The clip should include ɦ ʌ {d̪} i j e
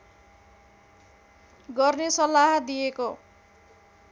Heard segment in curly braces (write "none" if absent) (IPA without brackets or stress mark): d̪